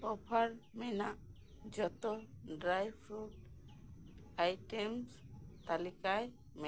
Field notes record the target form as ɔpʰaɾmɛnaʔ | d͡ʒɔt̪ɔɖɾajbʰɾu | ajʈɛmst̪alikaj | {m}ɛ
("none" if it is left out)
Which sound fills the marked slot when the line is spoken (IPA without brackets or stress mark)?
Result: m